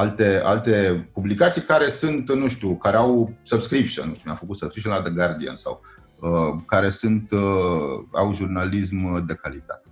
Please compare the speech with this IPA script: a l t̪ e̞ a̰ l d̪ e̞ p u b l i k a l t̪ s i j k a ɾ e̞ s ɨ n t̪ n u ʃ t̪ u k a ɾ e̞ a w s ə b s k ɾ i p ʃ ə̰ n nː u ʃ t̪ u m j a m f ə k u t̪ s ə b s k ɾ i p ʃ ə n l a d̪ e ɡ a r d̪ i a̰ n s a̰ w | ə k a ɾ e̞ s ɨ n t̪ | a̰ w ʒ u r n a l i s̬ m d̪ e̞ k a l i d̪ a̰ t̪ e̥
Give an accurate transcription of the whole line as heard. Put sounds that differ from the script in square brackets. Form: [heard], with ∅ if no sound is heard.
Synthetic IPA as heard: a l t̪ e̞ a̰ l [t̪] e̞ p u b l i k a [∅] t̪ s i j k a ɾ e̞ s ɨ n t̪ n u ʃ t̪ u k a ɾ e̞ a w s ə b s k ɾ i p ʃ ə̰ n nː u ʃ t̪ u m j a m f ə k u t̪ s ə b s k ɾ i p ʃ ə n l a d̪ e ɡ a r d̪ i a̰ n s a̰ w | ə k a ɾ e̞ s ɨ n t̪ | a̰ w ʒ u r n a l i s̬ m d̪ e̞ k a l i [t̪] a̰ t̪ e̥